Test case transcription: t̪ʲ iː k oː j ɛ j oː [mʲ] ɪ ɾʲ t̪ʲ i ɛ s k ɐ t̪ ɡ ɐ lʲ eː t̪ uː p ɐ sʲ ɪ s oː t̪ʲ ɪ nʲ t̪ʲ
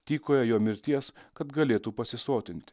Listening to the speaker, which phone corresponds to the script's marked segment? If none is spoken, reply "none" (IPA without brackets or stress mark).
mʲ